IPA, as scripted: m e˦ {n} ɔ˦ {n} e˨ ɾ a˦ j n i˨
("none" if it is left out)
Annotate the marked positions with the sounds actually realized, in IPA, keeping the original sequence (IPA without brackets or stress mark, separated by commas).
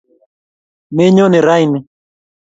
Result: ɲ, n